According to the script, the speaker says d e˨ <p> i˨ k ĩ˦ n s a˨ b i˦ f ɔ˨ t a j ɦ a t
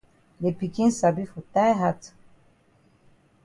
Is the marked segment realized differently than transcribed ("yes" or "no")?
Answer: no